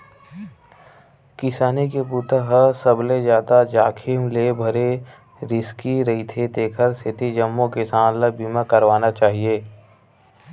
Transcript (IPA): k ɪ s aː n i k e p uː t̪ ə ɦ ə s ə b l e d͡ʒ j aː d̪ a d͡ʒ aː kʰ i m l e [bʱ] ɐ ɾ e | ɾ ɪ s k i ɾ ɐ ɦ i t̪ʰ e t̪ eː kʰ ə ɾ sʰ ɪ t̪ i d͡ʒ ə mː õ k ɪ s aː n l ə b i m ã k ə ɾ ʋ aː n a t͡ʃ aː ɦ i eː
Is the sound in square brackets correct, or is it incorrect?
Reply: correct